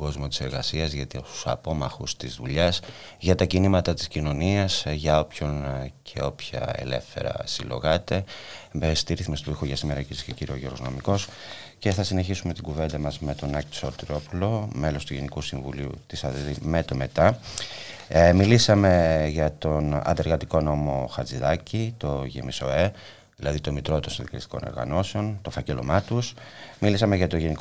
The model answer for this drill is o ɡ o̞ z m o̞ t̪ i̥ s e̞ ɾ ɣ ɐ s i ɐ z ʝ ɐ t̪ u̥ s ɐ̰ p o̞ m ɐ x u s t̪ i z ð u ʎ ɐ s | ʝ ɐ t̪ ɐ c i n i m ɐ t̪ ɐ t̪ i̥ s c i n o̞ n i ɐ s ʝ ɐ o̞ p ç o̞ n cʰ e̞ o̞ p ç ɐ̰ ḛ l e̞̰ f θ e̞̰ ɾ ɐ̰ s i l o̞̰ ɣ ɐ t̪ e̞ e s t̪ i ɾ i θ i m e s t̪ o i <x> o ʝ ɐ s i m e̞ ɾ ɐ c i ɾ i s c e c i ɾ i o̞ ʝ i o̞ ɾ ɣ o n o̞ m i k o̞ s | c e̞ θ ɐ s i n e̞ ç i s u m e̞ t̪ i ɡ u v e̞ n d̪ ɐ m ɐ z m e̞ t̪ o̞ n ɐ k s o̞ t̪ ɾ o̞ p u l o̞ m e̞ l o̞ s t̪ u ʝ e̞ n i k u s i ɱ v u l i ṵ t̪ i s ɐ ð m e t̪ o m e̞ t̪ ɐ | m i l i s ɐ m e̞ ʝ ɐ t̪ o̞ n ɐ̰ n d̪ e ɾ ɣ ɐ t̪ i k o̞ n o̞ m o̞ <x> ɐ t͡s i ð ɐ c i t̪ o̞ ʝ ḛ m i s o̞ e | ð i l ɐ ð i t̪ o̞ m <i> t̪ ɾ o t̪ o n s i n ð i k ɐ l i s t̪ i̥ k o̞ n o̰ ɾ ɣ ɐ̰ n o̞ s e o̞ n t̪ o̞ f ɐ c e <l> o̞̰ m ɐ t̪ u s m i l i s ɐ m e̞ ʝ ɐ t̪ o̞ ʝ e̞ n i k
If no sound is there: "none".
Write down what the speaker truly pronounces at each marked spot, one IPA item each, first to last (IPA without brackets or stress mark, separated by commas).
x, x, i, l